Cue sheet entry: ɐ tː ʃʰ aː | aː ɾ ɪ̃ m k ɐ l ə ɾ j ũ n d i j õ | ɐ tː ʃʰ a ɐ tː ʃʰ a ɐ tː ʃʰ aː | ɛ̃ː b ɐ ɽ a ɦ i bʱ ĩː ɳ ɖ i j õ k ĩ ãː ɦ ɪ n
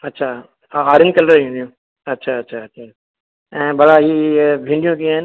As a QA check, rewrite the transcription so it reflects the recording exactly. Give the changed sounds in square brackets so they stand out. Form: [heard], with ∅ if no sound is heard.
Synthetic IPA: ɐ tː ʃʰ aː | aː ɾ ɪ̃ [n] k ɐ l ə ɾ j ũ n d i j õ | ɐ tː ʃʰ a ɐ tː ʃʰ a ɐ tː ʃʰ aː | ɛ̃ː b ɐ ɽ a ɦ i bʱ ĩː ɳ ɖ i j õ k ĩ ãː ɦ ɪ n